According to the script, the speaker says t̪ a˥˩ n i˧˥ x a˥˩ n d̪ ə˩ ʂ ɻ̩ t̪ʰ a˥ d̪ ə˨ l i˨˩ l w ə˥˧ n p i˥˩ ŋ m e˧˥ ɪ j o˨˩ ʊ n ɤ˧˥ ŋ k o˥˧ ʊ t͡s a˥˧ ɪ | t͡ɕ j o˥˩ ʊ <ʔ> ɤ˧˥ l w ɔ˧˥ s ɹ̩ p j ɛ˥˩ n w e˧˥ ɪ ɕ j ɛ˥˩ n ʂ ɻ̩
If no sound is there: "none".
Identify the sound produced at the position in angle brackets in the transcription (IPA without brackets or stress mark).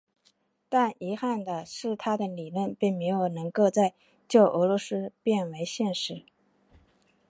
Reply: ʔ